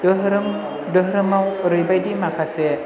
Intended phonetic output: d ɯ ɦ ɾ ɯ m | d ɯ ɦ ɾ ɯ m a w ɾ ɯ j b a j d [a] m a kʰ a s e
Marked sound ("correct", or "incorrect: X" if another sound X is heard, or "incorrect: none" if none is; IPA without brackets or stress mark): incorrect: i